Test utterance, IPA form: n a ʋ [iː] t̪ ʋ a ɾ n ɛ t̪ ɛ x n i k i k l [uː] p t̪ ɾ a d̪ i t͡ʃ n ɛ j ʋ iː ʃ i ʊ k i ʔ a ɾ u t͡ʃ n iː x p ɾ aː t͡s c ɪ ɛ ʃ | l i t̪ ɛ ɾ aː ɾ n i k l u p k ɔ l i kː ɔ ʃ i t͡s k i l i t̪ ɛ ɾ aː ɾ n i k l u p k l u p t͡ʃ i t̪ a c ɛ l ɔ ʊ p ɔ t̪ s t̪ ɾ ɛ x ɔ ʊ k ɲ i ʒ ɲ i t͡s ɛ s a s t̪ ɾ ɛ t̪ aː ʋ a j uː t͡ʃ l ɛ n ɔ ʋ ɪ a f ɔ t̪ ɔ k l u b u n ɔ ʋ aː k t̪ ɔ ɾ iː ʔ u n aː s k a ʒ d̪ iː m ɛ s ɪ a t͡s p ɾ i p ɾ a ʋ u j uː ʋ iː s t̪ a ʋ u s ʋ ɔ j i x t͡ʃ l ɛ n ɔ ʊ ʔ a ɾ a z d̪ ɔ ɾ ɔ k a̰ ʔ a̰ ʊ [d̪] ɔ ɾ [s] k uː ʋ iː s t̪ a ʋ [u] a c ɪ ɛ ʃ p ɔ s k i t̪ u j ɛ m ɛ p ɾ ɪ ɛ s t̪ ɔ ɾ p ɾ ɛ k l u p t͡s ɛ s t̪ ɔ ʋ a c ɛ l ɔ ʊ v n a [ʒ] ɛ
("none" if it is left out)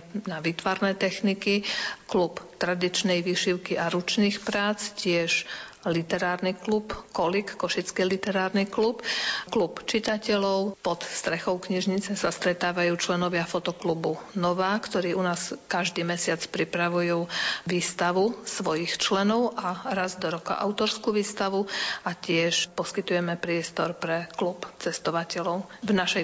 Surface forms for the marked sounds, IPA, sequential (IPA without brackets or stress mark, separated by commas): iː, u, t̪, s, u, ʃ